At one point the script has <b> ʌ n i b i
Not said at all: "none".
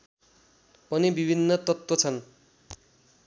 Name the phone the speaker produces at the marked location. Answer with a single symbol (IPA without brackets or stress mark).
p